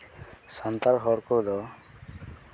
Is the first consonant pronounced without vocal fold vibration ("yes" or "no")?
yes